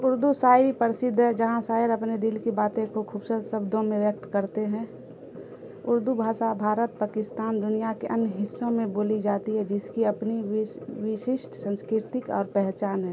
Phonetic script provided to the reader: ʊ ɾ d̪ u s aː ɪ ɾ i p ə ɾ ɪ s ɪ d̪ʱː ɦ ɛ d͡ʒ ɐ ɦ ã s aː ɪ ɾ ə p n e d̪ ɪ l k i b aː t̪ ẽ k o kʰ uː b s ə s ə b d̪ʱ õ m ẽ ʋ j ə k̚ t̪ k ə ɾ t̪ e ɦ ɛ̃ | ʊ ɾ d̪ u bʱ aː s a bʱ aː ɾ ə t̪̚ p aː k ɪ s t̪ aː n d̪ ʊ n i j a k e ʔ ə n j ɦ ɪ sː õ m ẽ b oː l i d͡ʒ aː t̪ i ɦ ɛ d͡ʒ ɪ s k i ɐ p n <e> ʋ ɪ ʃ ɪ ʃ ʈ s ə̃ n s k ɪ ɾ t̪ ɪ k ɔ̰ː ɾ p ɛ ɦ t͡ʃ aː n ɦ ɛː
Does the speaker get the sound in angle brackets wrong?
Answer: yes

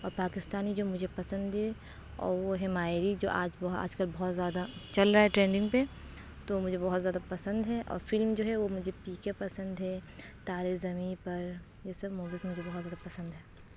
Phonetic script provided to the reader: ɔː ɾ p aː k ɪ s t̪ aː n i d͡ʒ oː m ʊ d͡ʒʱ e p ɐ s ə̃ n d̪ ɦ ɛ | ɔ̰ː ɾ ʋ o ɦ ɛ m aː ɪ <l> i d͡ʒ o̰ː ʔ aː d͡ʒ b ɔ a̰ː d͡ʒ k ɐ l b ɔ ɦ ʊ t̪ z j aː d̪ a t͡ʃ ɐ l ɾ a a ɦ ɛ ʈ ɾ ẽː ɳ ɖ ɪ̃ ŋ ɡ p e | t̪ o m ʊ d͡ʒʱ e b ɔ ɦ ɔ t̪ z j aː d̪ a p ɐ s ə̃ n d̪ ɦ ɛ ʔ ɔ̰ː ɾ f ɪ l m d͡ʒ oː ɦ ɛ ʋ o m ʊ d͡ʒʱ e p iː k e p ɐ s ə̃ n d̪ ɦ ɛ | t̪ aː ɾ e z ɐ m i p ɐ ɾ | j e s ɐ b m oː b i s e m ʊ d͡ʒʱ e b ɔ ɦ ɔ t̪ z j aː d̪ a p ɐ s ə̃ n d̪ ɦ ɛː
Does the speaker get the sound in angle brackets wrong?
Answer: yes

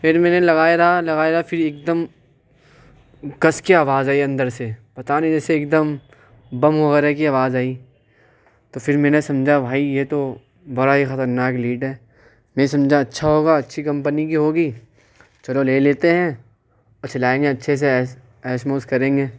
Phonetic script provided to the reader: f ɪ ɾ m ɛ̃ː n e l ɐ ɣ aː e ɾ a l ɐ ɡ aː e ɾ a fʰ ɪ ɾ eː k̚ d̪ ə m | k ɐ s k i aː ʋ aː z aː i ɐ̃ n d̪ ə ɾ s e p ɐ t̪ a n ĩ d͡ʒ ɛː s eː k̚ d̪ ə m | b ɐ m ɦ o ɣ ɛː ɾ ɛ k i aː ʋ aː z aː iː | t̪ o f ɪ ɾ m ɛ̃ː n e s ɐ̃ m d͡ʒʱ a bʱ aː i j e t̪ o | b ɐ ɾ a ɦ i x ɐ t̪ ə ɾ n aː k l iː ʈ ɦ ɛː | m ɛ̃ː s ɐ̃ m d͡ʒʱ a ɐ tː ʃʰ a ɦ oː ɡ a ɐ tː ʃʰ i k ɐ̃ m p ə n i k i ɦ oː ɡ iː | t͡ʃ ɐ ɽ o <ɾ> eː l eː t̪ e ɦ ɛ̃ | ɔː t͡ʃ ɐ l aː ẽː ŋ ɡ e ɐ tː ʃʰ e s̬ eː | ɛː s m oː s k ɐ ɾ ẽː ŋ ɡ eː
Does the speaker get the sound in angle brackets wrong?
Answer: yes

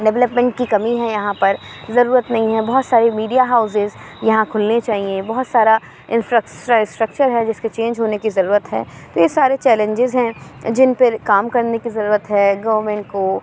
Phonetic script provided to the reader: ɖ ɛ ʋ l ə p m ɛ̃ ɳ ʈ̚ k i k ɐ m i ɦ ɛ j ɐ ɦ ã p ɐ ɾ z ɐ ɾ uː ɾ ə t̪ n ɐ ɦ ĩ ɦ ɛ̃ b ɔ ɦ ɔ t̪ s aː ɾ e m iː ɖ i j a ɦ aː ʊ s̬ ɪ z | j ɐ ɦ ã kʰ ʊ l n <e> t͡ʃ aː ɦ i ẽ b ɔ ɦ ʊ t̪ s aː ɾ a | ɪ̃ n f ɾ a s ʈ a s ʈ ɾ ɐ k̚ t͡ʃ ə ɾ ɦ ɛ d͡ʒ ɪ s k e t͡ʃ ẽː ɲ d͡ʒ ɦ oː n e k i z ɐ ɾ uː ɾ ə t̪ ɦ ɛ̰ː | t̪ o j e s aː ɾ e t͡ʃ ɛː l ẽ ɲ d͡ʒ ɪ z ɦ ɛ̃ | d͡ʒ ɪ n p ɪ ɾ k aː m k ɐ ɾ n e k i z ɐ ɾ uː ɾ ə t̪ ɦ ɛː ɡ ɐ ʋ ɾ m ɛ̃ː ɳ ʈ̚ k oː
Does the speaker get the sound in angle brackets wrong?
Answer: no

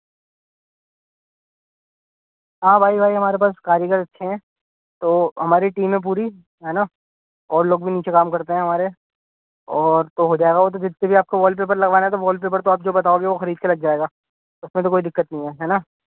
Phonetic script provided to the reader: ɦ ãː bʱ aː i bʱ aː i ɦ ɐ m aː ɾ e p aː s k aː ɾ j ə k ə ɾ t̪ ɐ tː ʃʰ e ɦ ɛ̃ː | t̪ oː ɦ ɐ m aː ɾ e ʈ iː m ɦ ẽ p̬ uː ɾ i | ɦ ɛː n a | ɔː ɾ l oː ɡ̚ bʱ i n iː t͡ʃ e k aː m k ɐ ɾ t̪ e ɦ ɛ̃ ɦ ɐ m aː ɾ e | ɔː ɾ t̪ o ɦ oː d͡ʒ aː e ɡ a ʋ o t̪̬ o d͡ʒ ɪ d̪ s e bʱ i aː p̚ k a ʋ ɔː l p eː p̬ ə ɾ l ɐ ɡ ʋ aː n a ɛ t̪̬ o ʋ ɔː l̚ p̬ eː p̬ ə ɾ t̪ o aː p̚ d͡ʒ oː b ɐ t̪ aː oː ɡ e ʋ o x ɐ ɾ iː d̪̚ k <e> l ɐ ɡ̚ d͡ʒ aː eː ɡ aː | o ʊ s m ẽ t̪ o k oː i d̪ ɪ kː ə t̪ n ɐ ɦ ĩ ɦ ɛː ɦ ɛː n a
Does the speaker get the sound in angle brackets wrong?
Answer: no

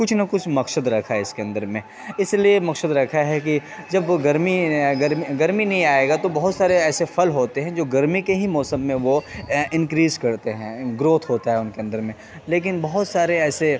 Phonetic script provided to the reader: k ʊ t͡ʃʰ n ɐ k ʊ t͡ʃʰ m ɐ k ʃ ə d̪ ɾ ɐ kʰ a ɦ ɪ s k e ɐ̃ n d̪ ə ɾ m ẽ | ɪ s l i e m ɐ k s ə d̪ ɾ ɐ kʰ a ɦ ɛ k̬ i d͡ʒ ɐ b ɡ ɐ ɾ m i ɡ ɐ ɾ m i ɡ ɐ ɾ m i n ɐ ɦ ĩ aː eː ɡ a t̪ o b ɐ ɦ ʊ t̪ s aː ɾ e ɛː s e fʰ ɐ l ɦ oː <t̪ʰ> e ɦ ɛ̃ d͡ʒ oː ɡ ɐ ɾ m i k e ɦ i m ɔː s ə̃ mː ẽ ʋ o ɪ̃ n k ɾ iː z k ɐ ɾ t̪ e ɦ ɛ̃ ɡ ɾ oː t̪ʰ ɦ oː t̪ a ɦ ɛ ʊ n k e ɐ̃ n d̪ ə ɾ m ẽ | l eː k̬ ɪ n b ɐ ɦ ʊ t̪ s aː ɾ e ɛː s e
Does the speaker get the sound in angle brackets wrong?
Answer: yes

